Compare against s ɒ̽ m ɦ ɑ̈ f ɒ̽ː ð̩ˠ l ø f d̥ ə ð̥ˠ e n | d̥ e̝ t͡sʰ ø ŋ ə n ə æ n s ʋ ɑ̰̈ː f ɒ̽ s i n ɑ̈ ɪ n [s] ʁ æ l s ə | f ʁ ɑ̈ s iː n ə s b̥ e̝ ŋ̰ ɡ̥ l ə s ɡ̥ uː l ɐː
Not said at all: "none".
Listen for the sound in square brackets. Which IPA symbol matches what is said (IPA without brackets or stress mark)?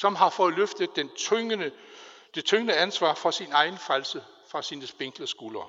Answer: f